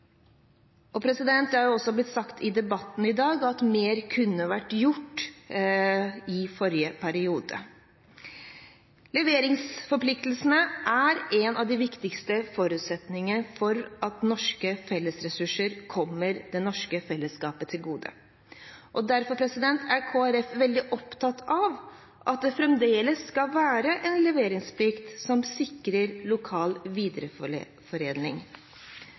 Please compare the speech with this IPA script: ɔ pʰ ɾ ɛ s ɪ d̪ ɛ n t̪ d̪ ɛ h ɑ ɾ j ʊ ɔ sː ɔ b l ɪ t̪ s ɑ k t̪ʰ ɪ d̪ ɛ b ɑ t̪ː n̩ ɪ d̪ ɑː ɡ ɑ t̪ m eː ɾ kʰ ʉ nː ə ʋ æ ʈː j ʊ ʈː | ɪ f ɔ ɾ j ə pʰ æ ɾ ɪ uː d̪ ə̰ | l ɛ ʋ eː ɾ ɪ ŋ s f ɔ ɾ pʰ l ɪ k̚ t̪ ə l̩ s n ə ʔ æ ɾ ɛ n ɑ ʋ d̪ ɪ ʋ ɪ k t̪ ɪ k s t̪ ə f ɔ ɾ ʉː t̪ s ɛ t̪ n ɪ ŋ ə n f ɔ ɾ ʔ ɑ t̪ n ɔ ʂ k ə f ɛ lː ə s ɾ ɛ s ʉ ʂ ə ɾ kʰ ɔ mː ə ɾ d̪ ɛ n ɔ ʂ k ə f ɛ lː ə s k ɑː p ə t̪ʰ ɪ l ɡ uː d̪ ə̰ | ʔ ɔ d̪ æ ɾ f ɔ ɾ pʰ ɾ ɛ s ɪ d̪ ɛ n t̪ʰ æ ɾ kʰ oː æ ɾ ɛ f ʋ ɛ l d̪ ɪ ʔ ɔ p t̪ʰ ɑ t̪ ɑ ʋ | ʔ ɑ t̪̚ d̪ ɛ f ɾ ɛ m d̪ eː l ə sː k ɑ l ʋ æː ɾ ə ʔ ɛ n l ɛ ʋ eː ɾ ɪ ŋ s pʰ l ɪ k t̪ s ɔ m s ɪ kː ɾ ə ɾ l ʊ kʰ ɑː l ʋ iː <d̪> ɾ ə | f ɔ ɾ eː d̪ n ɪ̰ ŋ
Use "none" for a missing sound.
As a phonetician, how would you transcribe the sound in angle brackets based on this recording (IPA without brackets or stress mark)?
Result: d̪